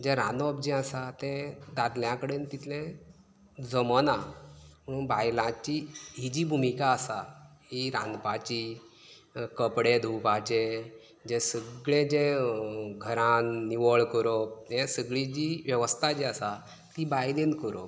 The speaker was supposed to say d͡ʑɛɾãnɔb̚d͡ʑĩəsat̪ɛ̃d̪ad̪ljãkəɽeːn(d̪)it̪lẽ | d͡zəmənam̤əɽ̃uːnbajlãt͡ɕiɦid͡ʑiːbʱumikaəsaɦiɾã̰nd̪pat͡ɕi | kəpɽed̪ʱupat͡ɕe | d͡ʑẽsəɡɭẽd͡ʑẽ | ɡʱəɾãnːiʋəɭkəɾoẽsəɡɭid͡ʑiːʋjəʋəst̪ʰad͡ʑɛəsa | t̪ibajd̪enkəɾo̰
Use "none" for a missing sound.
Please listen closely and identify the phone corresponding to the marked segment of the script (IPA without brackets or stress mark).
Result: t̪